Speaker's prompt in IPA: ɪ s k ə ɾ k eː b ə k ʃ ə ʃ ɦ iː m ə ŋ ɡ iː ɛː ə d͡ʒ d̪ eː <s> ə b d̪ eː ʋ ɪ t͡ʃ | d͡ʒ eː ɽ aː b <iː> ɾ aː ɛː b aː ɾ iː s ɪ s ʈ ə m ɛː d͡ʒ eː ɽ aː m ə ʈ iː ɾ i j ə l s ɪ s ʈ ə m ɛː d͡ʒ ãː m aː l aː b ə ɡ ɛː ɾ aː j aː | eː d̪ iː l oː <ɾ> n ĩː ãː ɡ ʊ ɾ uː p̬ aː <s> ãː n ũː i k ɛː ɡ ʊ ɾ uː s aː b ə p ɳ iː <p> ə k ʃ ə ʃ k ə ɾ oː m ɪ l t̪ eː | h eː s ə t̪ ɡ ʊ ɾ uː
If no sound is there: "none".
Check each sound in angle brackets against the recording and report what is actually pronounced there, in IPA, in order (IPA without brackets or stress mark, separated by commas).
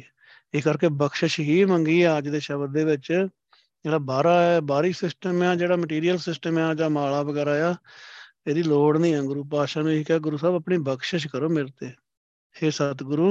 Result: ʃ, aː, ɽ, ʃ, b